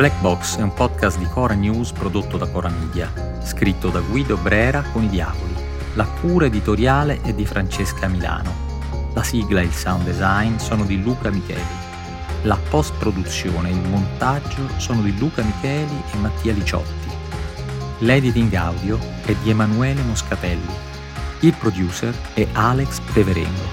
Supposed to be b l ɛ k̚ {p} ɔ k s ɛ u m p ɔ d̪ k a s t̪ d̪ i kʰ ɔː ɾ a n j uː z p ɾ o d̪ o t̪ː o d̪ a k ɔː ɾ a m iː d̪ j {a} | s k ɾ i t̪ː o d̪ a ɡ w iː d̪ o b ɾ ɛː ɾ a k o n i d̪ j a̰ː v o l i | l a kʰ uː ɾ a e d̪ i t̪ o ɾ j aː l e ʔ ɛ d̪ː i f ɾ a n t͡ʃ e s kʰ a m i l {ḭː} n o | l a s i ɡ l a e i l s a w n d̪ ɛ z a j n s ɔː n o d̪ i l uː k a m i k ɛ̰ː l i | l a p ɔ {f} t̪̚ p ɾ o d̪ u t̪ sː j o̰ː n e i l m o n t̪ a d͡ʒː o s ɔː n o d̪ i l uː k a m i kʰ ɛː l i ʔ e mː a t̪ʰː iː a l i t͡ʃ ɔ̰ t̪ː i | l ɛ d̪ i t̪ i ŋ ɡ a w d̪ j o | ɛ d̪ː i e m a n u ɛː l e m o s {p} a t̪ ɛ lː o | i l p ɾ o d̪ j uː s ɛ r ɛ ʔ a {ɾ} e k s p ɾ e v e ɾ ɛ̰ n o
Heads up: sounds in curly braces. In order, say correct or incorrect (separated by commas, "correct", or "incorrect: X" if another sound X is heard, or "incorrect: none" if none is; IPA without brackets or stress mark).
incorrect: b, correct, incorrect: a̰ː, incorrect: s, incorrect: k, incorrect: l